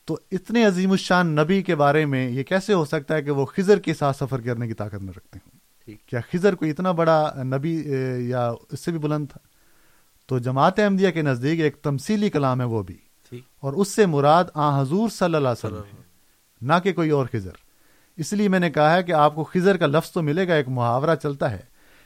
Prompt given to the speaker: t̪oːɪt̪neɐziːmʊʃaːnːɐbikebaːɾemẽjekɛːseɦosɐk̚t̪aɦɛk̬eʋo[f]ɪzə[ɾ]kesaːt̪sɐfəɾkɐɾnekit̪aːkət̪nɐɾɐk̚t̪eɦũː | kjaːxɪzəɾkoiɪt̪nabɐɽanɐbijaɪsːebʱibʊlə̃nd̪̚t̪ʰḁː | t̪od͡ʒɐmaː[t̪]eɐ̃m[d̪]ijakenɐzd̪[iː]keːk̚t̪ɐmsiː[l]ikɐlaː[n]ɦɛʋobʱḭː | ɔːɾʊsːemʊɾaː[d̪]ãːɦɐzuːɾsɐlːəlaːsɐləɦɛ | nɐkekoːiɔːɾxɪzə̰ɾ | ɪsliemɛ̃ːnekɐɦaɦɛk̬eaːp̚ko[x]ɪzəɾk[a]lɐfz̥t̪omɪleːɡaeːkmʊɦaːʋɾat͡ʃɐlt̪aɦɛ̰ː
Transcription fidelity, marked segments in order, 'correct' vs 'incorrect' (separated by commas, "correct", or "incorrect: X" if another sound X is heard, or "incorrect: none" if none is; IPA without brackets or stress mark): incorrect: x, correct, correct, correct, correct, correct, incorrect: m, correct, correct, correct